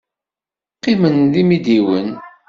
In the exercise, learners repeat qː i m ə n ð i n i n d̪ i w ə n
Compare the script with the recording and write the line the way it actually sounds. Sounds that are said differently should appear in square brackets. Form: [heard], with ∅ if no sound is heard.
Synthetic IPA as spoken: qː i m ə n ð i [m] i [∅] d̪ i w ə n